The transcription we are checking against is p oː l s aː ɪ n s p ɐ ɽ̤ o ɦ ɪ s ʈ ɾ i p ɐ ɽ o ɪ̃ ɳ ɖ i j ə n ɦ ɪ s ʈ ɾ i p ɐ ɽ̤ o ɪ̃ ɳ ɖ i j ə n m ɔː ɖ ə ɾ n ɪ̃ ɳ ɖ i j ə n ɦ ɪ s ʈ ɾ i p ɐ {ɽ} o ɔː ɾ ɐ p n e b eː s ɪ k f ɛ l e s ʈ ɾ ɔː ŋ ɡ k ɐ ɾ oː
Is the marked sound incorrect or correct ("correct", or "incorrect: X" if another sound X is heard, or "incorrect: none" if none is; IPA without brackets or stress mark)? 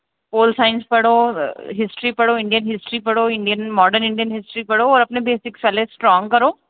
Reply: correct